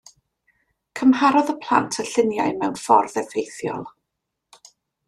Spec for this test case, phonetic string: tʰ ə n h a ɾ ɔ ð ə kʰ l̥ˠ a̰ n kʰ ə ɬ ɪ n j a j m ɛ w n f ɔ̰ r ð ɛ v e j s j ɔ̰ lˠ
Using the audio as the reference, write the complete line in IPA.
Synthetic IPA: kʰ ə m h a ɾ ɔ ð ə pʰ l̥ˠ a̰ n tʰ ə ɬ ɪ n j a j m ɛ w n f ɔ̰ r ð ɛ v e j θ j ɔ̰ lˠ